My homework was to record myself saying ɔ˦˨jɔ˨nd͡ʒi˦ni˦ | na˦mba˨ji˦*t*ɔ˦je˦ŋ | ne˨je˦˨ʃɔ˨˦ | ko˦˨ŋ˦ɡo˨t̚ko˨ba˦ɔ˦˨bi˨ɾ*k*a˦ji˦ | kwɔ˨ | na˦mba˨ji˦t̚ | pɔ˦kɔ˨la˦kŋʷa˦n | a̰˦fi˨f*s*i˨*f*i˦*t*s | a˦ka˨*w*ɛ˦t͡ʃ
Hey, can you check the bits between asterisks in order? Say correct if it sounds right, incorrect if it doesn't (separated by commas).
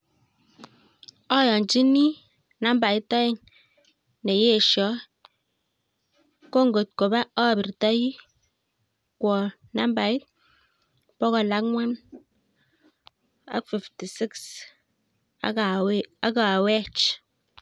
correct, incorrect, incorrect, incorrect, incorrect, correct